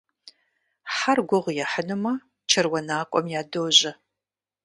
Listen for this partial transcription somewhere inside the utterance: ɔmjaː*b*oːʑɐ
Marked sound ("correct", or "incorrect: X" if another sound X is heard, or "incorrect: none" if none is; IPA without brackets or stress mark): incorrect: d